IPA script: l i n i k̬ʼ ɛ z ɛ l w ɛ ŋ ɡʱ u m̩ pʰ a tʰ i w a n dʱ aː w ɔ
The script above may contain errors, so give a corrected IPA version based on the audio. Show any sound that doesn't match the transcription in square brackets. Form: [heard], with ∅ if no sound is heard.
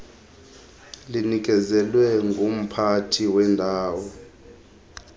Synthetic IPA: l i n i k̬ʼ ɛ z ɛ l w ɛ ŋ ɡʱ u m̩ pʰ a tʰ i w [ɛ] n dʱ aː w ɔ